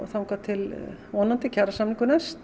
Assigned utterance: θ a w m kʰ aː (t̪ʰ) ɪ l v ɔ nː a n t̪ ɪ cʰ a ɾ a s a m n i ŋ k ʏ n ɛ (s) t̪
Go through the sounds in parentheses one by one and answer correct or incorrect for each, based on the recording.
correct, correct

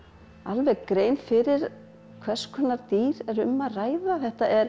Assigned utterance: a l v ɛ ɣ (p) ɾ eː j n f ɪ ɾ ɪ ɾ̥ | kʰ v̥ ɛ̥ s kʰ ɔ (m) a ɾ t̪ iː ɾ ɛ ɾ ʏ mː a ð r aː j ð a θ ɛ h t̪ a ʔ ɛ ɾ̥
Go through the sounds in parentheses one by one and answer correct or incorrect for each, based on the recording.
incorrect, incorrect

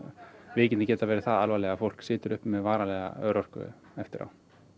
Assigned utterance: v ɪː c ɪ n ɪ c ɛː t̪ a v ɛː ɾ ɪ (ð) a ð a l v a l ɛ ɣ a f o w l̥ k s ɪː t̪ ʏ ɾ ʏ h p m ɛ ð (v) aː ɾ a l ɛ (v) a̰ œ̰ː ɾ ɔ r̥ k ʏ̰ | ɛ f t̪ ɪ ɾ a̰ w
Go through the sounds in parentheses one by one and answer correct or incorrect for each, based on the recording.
incorrect, correct, incorrect

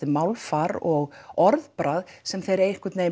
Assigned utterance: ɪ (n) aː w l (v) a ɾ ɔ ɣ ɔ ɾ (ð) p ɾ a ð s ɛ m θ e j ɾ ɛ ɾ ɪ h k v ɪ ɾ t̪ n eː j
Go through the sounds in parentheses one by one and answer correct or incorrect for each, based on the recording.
incorrect, incorrect, correct

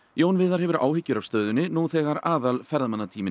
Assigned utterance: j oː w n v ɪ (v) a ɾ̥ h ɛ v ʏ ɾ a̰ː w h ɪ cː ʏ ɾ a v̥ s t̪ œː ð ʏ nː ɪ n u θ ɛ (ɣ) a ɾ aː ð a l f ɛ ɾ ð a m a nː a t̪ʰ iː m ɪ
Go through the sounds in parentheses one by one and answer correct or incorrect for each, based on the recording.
incorrect, correct

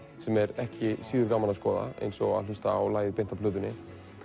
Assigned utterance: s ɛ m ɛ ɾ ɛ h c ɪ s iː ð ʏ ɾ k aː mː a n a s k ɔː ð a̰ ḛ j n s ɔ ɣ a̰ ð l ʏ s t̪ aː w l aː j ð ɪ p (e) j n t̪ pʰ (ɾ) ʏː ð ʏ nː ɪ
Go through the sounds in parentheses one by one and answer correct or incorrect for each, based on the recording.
correct, incorrect

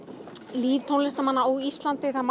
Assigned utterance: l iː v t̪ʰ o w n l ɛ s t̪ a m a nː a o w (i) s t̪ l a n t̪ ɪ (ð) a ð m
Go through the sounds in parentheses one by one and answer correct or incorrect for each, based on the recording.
correct, incorrect

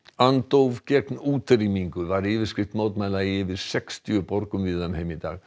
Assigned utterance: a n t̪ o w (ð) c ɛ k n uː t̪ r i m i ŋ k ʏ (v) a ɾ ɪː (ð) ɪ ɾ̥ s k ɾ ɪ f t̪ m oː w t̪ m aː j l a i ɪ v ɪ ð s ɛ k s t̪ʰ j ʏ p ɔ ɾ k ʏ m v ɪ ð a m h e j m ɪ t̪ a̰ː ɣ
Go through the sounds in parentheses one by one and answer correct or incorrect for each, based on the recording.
incorrect, correct, incorrect

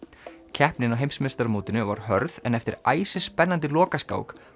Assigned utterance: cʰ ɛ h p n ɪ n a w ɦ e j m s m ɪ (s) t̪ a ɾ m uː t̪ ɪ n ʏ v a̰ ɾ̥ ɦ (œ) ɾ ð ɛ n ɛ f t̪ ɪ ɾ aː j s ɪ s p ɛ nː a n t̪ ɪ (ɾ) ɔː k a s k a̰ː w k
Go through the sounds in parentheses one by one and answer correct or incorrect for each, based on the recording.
correct, correct, incorrect

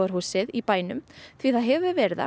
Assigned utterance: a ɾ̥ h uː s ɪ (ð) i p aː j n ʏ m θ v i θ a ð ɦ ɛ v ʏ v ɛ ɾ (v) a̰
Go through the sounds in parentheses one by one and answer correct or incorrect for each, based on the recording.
correct, incorrect

